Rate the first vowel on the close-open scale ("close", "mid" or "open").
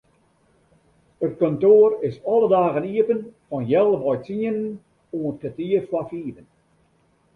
mid